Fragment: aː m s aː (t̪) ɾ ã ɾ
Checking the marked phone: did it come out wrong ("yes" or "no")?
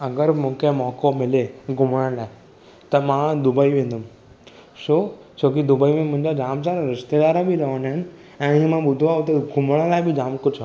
yes